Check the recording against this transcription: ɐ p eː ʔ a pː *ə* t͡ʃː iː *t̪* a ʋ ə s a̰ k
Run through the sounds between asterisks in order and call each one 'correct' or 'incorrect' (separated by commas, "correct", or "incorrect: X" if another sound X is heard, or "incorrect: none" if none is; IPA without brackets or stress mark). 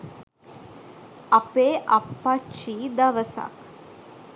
incorrect: a, incorrect: d̪